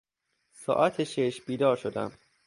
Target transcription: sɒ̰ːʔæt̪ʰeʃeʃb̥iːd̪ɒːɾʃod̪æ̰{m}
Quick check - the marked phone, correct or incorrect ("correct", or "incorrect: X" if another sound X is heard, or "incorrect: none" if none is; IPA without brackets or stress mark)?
correct